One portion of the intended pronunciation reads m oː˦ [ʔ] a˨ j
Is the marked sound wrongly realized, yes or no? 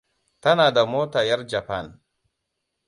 yes